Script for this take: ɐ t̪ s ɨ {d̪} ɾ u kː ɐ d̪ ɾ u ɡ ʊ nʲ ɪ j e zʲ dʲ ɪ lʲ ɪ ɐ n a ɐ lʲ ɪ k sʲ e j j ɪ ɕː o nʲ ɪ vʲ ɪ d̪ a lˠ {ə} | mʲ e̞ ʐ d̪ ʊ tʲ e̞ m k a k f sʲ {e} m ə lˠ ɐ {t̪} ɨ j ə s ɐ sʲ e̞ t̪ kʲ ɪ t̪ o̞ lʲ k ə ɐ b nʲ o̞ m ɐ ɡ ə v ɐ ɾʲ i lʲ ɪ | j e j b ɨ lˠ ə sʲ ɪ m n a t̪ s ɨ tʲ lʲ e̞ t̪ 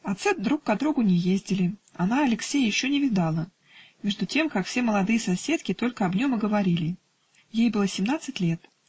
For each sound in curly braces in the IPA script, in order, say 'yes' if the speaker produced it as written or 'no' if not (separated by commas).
yes, yes, yes, no